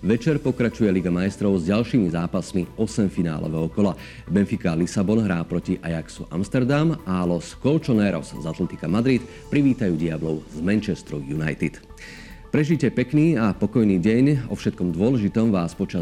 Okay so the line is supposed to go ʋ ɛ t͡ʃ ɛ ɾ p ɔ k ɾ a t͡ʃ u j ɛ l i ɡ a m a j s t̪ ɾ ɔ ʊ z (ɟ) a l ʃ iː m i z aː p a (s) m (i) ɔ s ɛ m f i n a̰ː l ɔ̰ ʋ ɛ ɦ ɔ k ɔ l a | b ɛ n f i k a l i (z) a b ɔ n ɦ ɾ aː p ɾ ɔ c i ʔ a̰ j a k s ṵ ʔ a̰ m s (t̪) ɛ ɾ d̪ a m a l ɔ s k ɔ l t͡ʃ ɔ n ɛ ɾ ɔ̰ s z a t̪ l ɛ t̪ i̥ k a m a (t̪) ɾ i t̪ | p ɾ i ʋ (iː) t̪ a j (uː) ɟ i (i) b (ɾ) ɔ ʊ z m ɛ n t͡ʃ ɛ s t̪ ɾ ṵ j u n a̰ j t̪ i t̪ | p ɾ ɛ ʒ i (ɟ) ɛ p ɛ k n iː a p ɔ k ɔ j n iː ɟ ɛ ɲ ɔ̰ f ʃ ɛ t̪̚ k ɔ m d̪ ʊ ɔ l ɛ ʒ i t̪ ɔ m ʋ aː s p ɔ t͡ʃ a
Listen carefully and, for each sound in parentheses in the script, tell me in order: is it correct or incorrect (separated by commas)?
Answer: correct, correct, correct, incorrect, correct, incorrect, correct, correct, incorrect, incorrect, incorrect